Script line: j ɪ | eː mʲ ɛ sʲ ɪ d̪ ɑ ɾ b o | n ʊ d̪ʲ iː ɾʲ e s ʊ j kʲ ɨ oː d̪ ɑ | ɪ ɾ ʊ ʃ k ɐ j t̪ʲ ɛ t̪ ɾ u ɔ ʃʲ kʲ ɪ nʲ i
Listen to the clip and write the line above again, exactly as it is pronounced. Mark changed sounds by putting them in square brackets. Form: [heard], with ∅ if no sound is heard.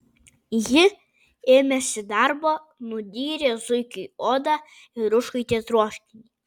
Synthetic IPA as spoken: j ɪ | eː mʲ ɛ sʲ ɪ d̪ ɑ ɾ b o | n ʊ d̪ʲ iː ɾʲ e [z] ʊ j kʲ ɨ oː d̪ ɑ | ɪ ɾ ʊ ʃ k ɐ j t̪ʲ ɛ t̪ ɾ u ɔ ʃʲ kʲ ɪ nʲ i